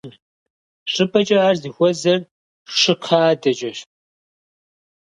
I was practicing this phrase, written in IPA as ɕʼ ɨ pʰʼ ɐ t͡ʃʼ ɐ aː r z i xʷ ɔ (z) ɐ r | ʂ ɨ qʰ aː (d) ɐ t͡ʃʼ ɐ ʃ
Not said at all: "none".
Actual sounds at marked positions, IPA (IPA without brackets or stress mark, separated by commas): z, d